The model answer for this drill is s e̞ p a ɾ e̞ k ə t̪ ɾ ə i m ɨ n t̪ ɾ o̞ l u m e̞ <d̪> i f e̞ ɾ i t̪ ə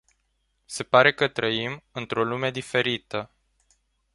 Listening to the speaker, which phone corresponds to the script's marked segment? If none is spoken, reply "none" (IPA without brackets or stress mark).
d̪